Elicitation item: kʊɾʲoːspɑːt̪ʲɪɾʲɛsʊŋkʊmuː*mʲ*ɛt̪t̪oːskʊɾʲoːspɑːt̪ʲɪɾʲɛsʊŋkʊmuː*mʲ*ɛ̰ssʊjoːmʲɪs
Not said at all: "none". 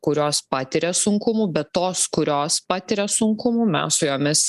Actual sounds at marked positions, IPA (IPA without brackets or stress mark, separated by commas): bʲ, mʲ